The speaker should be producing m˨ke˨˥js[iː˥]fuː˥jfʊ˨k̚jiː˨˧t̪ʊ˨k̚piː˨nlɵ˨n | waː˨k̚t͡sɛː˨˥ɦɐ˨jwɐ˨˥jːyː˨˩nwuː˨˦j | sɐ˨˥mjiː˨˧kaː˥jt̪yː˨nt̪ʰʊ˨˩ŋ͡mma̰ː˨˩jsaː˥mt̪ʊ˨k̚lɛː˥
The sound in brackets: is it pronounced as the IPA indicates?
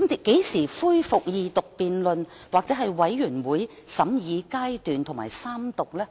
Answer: no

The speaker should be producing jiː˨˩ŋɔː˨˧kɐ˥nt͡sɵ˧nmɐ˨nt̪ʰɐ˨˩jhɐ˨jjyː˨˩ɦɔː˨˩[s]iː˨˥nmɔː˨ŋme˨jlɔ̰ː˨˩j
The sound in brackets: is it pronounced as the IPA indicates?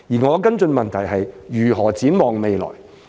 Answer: no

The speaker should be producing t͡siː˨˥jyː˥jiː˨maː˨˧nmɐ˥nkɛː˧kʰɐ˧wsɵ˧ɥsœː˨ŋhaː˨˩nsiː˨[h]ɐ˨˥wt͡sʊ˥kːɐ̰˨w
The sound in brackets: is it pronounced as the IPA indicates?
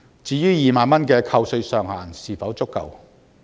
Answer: no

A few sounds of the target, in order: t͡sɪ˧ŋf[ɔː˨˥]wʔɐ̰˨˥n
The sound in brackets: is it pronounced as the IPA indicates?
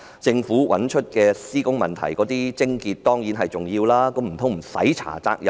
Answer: no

